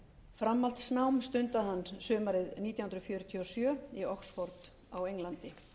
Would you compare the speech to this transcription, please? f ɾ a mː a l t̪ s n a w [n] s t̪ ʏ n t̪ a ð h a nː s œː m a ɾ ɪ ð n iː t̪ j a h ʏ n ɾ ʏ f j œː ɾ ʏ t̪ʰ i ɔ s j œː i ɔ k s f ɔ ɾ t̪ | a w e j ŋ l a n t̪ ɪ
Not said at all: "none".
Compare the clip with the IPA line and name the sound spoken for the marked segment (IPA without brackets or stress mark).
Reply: m